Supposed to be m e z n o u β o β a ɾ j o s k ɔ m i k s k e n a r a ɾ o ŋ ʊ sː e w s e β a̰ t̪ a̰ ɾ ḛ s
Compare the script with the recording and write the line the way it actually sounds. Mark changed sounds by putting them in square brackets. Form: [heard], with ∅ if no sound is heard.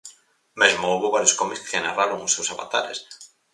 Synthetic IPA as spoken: m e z [m] o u β o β a ɾ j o s k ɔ m i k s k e n a r a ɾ o ŋ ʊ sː e w s [a] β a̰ t̪ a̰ ɾ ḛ s